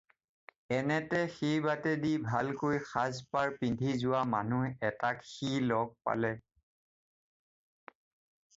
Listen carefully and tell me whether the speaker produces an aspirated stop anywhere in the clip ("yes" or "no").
no